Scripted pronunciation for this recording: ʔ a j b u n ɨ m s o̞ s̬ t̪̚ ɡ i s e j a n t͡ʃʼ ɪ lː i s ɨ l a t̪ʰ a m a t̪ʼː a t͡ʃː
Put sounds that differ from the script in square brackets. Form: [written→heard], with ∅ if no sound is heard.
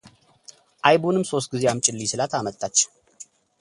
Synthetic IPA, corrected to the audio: ʔ a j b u n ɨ m s o̞ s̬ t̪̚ ɡ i [s→z] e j a [n→m] t͡ʃʼ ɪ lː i s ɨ l a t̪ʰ a m [a→ə] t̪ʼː a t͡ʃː